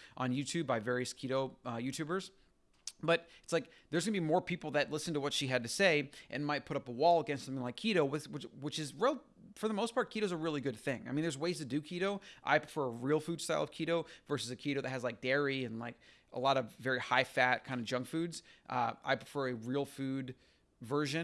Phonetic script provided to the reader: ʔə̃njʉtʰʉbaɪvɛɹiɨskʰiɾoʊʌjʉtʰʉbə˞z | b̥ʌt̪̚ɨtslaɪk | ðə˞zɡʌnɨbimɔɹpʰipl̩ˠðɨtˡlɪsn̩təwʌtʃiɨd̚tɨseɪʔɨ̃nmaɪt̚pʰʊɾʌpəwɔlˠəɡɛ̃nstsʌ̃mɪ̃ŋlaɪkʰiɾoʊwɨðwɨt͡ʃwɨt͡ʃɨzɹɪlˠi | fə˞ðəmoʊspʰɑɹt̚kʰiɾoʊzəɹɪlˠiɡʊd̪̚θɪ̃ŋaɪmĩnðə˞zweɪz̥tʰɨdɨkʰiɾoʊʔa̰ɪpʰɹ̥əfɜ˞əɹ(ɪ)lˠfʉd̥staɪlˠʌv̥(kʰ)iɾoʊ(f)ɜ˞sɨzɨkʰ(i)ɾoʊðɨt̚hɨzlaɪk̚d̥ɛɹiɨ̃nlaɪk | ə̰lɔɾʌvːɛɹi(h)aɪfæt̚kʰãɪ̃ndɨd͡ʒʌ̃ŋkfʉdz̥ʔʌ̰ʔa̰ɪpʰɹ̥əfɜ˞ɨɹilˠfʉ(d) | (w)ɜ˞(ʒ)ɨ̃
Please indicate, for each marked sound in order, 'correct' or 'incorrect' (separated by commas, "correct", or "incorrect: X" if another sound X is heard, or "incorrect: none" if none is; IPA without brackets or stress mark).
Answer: incorrect: i, correct, incorrect: v, correct, correct, correct, incorrect: v, correct